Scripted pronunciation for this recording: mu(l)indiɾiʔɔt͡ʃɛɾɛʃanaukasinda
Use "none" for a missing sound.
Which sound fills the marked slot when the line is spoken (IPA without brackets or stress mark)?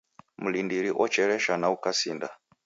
l